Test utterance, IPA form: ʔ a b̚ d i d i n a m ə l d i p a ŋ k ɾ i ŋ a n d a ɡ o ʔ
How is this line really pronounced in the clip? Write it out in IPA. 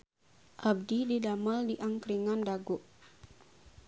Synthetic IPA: ʔ a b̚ d i d i d a m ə l d i ʔ a ŋ k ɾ i ŋ a n d a ɡ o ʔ